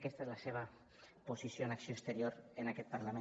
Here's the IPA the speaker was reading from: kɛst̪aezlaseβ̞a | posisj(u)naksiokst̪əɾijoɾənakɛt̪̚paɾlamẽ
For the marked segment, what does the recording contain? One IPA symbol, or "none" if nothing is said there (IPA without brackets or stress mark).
o